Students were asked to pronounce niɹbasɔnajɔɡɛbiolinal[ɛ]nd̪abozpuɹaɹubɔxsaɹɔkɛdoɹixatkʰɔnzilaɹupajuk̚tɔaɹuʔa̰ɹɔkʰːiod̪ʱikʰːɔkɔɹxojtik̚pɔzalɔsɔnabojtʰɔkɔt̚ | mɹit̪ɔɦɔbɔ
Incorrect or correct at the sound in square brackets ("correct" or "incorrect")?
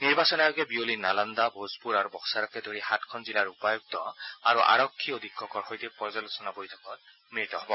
incorrect